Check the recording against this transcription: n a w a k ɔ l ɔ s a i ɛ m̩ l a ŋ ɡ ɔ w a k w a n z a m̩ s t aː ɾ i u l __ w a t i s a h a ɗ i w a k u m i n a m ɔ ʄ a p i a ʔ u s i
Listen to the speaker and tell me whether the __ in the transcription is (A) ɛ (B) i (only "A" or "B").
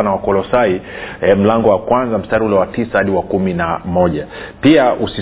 A